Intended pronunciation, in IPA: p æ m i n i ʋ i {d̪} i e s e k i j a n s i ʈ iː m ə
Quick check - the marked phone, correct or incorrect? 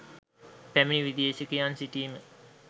correct